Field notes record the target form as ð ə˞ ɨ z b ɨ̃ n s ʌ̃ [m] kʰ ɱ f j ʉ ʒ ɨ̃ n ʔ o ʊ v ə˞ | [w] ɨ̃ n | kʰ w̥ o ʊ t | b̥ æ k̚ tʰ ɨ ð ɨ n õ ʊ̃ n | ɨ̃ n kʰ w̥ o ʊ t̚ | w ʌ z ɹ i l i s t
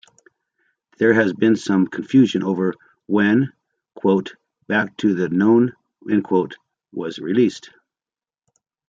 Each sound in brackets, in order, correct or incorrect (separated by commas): correct, correct